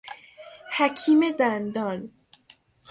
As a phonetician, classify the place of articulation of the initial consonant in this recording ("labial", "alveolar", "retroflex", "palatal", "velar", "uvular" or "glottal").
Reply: glottal